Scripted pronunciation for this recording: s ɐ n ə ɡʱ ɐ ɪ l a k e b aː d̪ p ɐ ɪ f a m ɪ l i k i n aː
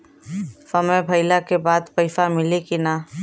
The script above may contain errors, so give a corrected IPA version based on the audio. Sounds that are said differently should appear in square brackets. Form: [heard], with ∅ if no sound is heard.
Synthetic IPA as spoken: s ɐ [m] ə [bʱ] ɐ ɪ l a k e b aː d̪ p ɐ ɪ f a m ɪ l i k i n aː